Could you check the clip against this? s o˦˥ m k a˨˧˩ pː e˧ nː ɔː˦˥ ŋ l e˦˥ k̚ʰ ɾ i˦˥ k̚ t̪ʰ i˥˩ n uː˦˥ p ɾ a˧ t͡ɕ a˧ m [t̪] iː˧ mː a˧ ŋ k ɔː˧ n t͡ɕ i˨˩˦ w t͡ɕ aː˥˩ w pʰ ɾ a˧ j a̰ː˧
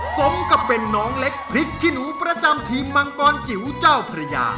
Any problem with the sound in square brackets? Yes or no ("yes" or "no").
yes